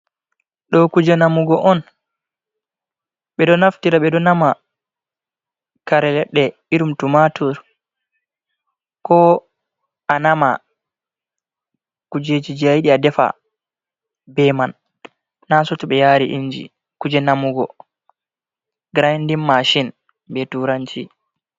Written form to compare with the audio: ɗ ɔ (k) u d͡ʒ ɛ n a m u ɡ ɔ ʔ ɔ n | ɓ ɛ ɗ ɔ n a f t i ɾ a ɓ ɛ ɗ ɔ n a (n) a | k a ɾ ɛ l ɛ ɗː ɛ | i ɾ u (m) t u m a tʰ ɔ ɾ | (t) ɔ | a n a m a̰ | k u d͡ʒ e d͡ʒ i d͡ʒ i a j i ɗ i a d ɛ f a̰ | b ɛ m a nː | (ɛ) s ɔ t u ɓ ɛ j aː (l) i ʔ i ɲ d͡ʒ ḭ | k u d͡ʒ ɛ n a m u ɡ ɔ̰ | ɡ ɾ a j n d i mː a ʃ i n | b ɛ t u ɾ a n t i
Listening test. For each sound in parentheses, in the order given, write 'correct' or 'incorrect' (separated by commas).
correct, incorrect, correct, incorrect, incorrect, incorrect